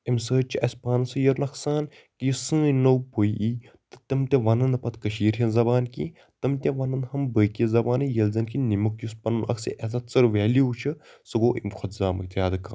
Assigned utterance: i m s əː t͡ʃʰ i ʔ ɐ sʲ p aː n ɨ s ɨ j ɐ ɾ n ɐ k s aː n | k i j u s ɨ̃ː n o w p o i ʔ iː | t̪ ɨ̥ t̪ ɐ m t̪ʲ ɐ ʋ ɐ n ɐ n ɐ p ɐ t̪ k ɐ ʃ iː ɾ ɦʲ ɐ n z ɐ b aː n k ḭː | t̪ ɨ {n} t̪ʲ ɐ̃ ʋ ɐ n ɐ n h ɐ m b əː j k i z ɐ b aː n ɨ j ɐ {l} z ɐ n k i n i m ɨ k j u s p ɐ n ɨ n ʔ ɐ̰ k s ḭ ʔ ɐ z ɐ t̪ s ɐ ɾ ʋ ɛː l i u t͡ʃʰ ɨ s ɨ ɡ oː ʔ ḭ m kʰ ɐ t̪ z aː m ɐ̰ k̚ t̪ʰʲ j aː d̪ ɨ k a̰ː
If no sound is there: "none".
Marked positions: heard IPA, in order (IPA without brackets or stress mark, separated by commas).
m, l